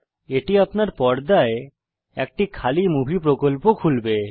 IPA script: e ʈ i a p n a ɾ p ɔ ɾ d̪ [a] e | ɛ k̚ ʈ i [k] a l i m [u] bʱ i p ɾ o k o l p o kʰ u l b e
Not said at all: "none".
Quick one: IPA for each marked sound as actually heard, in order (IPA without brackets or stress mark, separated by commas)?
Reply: a, kʰ, u